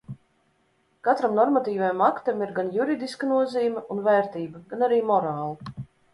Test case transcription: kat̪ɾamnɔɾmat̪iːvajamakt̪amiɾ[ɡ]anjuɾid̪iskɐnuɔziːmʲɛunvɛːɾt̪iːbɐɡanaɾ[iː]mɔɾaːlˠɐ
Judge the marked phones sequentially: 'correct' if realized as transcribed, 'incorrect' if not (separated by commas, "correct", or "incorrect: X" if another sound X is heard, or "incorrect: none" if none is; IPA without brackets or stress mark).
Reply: correct, correct